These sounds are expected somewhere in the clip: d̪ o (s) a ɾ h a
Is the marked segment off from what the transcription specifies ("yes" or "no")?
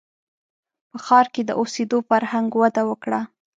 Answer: yes